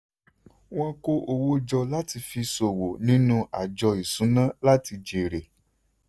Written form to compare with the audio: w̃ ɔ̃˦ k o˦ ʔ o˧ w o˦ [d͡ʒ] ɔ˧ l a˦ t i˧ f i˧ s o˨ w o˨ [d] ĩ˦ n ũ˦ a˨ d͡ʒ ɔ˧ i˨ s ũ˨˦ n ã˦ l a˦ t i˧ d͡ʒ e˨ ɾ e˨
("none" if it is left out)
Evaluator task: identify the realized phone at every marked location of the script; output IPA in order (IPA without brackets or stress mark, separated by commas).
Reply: d͡ʒ, n